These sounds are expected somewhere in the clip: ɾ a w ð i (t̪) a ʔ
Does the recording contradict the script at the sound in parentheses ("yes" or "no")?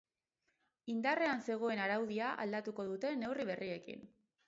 yes